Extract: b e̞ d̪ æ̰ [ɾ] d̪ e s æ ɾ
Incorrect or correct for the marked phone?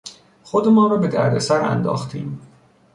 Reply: correct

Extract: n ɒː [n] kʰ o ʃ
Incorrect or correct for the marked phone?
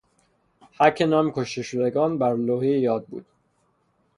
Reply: incorrect: m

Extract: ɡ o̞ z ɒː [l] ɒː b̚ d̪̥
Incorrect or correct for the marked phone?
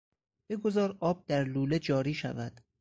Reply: incorrect: ɾ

